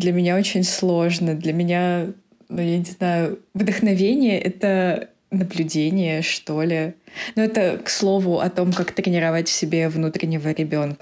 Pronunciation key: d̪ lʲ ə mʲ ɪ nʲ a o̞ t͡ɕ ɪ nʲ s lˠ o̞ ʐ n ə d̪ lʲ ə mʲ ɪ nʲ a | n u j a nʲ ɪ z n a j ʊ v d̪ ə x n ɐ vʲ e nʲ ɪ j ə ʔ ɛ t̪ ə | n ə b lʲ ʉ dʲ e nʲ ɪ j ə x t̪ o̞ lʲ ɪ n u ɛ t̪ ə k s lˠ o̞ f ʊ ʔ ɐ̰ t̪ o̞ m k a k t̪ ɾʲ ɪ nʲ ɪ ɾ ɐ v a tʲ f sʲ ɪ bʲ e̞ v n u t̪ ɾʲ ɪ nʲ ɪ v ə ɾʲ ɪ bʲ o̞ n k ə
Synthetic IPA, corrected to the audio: d̪ lʲ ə mʲ ɪ nʲ a o̞ t͡ɕ ɪ nʲ s lˠ o̞ ʐ n ə d̪ lʲ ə mʲ ɪ nʲ a | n u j a nʲ ɪ z n a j ʊ v d̪ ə x n ɐ vʲ e nʲ ɪ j ə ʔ ɛ t̪ ə | n ə b lʲ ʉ dʲ e nʲ ɪ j ə ʂ t̪ o̞ lʲ ɪ n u ɛ t̪ ə k s lˠ o̞ v ʊ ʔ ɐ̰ t̪ o̞ m k a k t̪ ɾʲ ɪ nʲ ɪ ɾ ɐ v a tʲ f sʲ ɪ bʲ e̞ v n u t̪ ɾʲ ɪ nʲ ɪ v ə ɾʲ ɪ bʲ o̞ n k ə